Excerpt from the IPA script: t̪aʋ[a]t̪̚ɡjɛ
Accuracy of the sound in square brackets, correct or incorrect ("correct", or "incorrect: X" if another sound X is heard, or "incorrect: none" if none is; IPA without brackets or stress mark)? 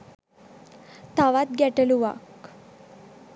correct